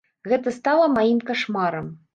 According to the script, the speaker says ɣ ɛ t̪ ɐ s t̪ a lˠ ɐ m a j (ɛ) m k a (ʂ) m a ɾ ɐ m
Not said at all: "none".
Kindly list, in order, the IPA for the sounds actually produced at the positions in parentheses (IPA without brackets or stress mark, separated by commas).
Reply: i, ʂ